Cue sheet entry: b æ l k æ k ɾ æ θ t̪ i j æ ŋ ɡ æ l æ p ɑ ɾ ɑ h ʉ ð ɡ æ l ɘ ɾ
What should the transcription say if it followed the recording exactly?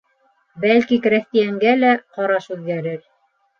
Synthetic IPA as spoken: b æ l k i k ɾ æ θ t̪ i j æ ŋ ɡ æ l æ q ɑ ɾ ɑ ʃ ʉ ð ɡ æ ɾ ɘ ɾ